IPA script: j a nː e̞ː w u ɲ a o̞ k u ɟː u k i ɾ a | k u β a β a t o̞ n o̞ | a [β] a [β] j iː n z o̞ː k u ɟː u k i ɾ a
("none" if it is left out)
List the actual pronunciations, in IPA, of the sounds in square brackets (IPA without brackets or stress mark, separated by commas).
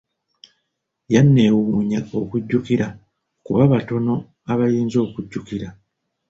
β, none